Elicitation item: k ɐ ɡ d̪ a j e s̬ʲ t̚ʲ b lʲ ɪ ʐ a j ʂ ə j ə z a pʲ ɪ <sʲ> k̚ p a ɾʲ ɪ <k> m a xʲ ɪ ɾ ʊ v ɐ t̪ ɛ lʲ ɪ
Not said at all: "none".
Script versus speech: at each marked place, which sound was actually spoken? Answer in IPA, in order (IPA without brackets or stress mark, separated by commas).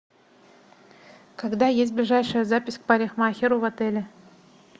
sʲ, x